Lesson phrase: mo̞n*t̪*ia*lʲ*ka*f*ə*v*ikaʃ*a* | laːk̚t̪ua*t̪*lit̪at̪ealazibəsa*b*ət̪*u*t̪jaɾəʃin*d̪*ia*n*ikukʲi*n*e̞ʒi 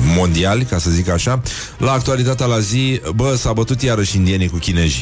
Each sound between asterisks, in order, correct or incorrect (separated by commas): incorrect, correct, incorrect, incorrect, correct, incorrect, correct, correct, correct, correct, correct